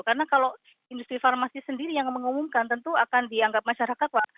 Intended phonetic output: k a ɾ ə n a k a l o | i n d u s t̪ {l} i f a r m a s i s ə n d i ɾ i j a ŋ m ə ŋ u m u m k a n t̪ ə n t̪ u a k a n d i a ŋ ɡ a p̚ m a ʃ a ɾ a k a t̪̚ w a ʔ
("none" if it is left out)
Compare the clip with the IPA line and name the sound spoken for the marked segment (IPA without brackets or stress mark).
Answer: ɾ